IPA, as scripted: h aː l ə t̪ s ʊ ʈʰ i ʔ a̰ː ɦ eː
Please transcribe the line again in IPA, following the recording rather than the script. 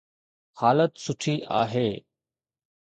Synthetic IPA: h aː l ə t̪ s ʊ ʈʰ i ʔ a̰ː ɦ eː